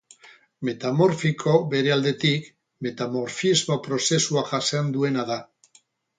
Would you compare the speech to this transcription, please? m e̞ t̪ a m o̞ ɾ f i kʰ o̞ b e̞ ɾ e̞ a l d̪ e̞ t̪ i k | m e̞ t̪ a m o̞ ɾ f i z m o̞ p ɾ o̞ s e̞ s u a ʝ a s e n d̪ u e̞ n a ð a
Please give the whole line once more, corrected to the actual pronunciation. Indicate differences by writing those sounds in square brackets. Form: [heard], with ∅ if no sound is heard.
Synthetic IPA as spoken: m e̞ t̪ a m o̞ ɾ f i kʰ o̞ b e̞ ɾ e̞ a l d̪ e̞ t̪ i k | m e̞ t̪ a m o̞ ɾ f i z m o̞ p ɾ o̞ s e̞ s u a ʝ a s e n d̪ u e̞ n a ð a